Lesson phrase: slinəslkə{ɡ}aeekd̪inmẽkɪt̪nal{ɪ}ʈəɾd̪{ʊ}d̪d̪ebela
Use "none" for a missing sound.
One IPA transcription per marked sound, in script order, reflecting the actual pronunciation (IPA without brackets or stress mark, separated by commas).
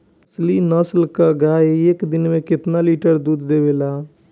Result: ɡ, i, u